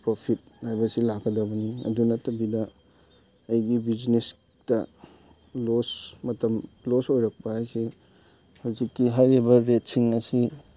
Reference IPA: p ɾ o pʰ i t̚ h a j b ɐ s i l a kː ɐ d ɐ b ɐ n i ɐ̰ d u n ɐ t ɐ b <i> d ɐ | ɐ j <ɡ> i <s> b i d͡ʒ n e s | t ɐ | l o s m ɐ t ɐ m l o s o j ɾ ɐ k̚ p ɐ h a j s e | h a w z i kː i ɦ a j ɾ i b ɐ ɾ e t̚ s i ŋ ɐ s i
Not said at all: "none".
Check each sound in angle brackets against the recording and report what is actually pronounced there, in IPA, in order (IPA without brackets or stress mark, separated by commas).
i, ɡ, none